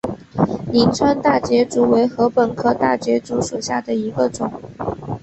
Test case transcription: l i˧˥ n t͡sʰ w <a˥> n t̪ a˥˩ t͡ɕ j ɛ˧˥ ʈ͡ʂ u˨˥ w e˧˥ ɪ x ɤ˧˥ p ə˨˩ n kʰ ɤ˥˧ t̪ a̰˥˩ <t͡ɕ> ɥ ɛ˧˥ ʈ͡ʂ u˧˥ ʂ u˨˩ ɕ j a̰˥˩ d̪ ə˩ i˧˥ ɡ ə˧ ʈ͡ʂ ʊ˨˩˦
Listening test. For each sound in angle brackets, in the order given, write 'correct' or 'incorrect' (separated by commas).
correct, correct